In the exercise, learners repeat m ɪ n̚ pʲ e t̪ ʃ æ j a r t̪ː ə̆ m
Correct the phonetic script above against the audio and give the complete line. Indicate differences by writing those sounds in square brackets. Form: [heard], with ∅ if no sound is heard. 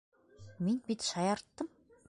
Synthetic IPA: m [i] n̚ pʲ [i] t̪ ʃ [a] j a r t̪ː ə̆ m